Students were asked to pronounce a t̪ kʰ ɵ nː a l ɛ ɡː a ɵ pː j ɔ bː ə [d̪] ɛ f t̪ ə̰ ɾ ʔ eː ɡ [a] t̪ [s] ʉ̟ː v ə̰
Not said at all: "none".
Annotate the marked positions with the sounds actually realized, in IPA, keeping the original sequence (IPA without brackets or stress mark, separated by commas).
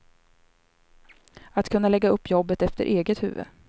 t̪, ə, h